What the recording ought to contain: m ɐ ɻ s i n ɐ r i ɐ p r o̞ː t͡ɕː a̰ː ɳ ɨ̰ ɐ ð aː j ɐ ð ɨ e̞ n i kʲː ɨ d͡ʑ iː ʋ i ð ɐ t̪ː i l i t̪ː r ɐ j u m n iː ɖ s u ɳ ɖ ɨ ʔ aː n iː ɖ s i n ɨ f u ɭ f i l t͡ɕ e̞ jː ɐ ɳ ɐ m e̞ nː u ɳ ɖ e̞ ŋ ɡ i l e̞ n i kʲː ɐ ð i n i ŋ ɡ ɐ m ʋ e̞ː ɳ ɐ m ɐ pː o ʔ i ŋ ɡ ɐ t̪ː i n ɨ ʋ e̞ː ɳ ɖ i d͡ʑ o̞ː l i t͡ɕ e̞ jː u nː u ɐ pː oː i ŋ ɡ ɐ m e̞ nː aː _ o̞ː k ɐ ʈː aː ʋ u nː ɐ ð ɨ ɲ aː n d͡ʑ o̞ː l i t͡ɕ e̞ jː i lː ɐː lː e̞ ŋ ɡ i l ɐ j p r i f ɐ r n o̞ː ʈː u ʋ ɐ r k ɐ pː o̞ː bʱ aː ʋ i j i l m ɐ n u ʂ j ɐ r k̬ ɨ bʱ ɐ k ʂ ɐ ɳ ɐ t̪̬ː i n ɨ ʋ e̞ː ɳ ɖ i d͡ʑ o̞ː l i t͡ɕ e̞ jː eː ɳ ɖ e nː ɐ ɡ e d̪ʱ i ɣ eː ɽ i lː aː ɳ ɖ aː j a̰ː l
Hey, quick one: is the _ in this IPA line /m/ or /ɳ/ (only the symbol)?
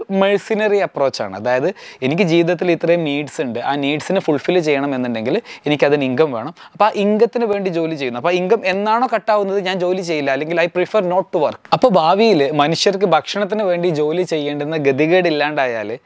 ɳ